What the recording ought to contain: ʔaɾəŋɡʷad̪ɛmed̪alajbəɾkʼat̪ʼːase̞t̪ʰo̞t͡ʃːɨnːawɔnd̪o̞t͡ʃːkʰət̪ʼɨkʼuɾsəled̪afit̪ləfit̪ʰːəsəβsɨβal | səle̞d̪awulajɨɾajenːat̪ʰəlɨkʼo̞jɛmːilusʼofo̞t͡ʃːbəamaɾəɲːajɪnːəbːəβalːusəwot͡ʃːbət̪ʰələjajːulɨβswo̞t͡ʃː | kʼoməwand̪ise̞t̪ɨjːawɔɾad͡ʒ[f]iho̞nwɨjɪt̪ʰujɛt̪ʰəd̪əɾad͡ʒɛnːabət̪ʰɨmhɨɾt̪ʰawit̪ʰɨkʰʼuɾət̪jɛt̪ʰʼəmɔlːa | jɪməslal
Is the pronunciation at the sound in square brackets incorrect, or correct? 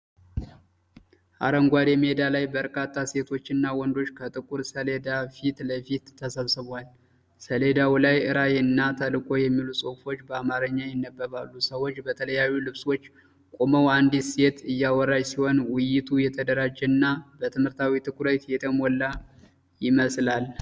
incorrect